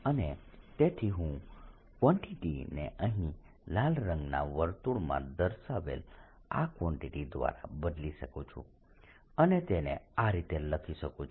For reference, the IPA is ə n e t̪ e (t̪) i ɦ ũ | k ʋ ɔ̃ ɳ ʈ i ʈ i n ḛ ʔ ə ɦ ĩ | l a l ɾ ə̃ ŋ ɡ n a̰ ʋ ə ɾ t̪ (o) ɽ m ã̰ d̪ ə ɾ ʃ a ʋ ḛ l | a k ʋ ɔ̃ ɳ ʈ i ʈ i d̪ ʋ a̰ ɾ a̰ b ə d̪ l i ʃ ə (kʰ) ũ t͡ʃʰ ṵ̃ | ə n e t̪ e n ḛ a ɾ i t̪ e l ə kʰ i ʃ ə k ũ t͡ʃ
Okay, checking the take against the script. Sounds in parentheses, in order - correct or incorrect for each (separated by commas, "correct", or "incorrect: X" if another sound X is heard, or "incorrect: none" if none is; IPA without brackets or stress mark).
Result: incorrect: t̪ʰ, incorrect: u, incorrect: k